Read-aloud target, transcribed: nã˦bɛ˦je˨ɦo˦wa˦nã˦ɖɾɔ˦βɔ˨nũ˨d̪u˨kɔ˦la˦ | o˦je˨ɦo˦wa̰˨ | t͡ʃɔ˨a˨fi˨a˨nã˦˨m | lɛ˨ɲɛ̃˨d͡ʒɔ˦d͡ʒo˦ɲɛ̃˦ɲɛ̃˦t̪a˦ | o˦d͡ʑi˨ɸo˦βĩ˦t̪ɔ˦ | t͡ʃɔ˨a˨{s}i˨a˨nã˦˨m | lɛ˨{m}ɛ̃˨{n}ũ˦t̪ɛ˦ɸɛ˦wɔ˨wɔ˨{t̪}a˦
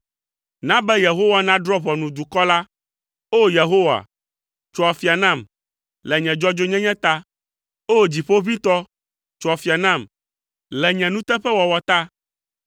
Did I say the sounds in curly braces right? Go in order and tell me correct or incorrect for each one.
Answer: incorrect: f, incorrect: ɲ, correct, correct

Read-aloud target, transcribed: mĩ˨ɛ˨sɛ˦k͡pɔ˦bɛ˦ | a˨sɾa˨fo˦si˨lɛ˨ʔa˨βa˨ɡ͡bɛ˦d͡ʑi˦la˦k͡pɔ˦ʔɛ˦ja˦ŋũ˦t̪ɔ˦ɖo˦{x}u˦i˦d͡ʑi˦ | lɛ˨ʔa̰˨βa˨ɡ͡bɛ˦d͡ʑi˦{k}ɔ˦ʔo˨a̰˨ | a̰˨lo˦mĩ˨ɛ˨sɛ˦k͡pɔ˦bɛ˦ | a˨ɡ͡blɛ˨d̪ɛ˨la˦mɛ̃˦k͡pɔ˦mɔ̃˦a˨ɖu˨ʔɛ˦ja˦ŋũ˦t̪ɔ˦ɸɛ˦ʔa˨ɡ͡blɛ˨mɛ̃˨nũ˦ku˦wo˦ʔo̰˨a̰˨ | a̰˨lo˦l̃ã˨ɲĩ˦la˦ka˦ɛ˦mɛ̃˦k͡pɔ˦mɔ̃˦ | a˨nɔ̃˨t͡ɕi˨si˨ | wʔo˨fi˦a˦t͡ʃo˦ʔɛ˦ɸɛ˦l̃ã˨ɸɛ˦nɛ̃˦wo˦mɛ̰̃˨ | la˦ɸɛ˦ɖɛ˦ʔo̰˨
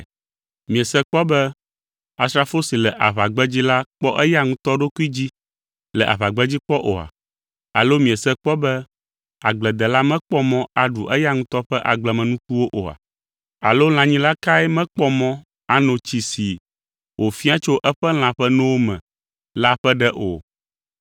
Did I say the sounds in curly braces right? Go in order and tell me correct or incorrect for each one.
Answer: incorrect: k, incorrect: k͡p

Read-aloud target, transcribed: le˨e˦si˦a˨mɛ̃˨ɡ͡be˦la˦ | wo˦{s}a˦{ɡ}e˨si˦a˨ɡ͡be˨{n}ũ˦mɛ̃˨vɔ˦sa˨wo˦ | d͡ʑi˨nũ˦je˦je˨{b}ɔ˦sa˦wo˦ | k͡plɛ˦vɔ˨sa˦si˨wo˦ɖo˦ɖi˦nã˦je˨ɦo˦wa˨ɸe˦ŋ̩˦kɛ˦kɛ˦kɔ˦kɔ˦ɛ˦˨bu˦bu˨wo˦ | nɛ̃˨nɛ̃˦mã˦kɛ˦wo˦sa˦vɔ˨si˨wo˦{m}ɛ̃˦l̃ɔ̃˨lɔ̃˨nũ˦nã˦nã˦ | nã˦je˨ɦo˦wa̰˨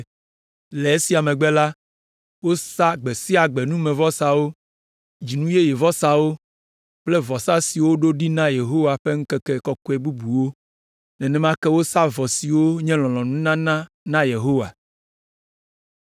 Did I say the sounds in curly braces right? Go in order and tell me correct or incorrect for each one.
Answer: correct, incorrect: ɡ͡b, correct, incorrect: v, incorrect: ɲ

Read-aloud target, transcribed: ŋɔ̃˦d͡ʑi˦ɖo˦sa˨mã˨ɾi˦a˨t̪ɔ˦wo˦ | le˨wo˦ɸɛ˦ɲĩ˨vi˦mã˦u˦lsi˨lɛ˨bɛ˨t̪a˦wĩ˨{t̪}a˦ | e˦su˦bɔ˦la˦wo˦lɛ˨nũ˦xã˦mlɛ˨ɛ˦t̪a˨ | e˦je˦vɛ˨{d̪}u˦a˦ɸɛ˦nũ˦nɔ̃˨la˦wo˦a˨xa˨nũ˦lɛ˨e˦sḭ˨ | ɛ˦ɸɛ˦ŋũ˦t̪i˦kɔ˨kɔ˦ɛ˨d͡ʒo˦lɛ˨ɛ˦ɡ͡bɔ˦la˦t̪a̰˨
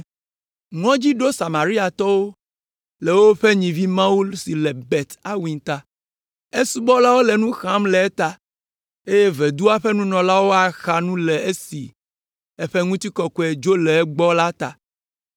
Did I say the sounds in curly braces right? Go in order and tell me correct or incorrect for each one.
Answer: correct, correct

